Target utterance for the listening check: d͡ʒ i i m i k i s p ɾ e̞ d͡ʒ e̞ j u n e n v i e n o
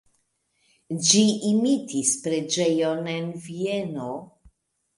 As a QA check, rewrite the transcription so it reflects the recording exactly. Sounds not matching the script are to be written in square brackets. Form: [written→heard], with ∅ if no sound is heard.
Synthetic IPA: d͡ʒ i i m i [k→t] i s p ɾ e̞ d͡ʒ e̞ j [u→o] n e n v i e n o